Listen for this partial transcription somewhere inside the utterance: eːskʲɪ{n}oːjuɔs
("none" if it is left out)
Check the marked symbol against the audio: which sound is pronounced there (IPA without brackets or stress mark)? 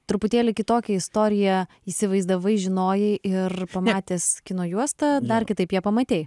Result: n